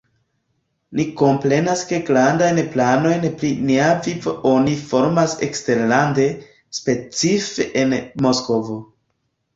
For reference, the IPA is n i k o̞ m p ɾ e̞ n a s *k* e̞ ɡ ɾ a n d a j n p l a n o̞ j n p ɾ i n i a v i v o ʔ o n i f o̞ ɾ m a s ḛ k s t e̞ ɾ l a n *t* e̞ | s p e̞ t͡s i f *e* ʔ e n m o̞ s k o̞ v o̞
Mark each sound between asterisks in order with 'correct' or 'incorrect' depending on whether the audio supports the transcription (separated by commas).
correct, incorrect, correct